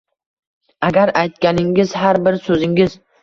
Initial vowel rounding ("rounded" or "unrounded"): unrounded